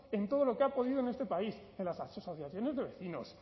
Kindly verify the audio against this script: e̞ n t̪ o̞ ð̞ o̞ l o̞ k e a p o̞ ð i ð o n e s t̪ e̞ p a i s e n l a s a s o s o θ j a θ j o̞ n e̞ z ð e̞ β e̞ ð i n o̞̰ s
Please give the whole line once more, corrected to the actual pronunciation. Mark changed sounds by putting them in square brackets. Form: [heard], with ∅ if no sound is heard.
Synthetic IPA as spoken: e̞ n t̪ o̞ ð̞ o̞ l o̞ k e a p o̞ ð i ð o n e s t̪ e̞ p a i s e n l a s a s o s o θ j a θ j o̞ n e̞ z ð e̞ β e̞ [θ] i n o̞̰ s

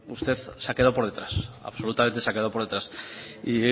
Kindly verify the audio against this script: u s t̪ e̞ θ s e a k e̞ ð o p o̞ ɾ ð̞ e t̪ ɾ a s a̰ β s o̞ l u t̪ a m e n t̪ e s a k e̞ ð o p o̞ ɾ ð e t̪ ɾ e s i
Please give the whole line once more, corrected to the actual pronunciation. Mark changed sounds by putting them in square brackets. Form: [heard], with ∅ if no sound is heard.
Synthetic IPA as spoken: u s t̪ e̞ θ s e a k e̞ ð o p o̞ ɾ ð̞ e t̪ ɾ a s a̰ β s o̞ l u t̪ a m e n t̪ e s a k e̞ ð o p o̞ ɾ ð e t̪ ɾ [a] s i

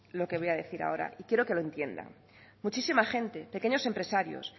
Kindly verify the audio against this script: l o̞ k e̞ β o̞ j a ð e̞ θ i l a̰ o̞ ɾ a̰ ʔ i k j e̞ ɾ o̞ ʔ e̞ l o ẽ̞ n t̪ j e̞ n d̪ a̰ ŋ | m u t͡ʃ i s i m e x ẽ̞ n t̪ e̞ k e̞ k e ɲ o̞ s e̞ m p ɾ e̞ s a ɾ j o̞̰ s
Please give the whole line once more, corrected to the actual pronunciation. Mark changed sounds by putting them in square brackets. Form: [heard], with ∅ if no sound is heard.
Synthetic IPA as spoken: l o̞ k e̞ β o̞ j a ð e̞ θ i [ɾ] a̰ o̞ ɾ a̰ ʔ i k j e̞ ɾ o̞ [k] e̞ l o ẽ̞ n t̪ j e̞ n d̪ a̰ ŋ | m u t͡ʃ i s i m [a] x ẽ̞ n t̪ e̞ [p] e̞ k e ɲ o̞ s e̞ m p ɾ e̞ s a ɾ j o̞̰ s

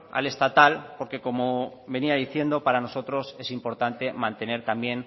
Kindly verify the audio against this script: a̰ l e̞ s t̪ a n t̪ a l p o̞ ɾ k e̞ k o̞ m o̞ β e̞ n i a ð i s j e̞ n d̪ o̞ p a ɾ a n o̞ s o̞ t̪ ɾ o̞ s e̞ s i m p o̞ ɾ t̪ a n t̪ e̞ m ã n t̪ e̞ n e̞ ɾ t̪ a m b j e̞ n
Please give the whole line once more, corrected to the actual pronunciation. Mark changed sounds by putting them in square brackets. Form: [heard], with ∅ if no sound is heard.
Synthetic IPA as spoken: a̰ l e̞ s t̪ a [∅] t̪ a l p o̞ ɾ k e̞ k o̞ m o̞ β e̞ n i a ð i [θ] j e̞ n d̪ o̞ p a ɾ a n o̞ s o̞ t̪ ɾ o̞ s e̞ s i m p o̞ ɾ t̪ a n t̪ e̞ m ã n t̪ e̞ n e̞ ɾ t̪ a m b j e̞ n

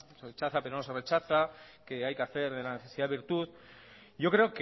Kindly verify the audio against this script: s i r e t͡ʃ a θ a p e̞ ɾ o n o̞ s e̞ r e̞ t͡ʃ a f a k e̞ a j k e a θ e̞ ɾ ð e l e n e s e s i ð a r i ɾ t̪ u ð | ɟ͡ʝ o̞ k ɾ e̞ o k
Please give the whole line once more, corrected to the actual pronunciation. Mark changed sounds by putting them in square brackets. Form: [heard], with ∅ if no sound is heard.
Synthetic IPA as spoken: s [e] r e t͡ʃ a θ a p e̞ ɾ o n o̞ s e̞ r e̞ t͡ʃ a [θ] a k e̞ a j k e a θ e̞ ɾ ð e l [a] n e [θ] e s i ð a [∅] i ɾ t̪ u ð | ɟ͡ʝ o̞ k ɾ e̞ o k

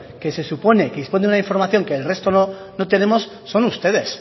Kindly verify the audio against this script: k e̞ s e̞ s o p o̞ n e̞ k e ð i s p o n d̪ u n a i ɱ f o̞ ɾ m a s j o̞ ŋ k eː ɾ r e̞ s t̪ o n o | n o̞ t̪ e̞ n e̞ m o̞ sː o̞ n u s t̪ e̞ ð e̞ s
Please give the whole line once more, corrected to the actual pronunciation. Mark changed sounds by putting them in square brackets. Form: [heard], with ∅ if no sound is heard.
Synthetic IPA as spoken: k e̞ s e̞ s [u] p o̞ n e̞ k e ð i s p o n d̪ u n a i ɱ f o̞ ɾ m a [θ] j o̞ ŋ k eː [l] r e̞ s t̪ o n o | n o̞ t̪ e̞ n e̞ m o̞ sː o̞ n u s t̪ e̞ ð e̞ s

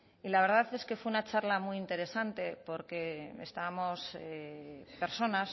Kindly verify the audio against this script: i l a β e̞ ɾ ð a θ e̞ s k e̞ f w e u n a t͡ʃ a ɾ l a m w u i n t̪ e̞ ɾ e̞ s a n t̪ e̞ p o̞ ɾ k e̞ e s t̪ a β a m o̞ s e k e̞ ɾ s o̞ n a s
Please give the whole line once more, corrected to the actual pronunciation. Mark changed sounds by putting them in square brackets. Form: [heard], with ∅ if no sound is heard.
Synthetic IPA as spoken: i l a β e̞ ɾ ð a θ e̞ s k e̞ f w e u n a t͡ʃ a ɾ l a m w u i n t̪ e̞ ɾ e̞ s a n t̪ e̞ p o̞ ɾ k e̞ e s t̪ a β a m o̞ s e [p] e̞ ɾ s o̞ n a s

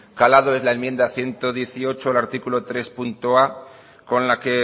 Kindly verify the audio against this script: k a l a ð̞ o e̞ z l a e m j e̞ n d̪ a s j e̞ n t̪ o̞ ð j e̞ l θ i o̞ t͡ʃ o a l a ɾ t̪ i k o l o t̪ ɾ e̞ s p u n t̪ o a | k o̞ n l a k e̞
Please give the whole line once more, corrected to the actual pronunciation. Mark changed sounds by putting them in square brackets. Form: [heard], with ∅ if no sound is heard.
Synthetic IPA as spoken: k a l a ð̞ o e̞ z l a e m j e̞ n d̪ a [θ] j e̞ n t̪ o̞ ð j e̞ [∅] θ i o̞ t͡ʃ o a l a ɾ t̪ i k [u] l o t̪ ɾ e̞ s p u n t̪ o a | k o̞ n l a k e̞

